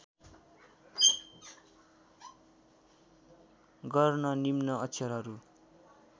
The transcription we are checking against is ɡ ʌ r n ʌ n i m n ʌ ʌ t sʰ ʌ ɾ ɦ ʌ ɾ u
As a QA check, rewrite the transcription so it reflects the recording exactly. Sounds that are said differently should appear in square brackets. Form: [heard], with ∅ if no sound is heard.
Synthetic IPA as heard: ɡ ʌ r n ʌ n i m n ʌ ʌ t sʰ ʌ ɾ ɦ ʌ ɾ u